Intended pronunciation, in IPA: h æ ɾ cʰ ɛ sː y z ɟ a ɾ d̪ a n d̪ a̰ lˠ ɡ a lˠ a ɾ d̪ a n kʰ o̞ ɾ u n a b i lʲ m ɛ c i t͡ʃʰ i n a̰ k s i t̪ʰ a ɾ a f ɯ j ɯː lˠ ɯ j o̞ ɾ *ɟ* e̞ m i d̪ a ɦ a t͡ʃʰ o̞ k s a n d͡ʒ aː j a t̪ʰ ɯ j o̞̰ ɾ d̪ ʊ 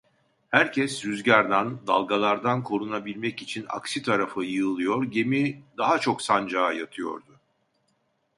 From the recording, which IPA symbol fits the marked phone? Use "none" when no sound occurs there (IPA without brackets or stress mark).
ɟ